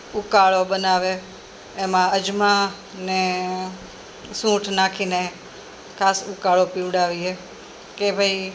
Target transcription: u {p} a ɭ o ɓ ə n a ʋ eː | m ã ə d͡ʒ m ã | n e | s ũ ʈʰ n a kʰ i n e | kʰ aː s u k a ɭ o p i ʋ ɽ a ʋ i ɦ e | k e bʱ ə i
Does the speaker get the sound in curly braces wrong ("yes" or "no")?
yes